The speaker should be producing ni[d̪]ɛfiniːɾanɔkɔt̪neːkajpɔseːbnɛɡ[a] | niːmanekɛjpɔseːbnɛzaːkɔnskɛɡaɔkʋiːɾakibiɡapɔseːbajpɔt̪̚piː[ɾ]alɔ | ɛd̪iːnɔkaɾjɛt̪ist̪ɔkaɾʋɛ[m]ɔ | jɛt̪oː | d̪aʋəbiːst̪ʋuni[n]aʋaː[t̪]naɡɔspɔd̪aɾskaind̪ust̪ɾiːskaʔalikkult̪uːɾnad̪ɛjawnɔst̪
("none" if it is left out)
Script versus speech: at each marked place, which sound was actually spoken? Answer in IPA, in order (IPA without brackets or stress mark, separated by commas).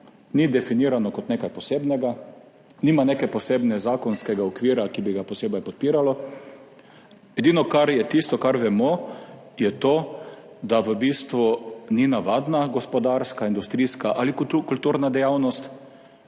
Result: d̪, a, ɾ, m, n, d̪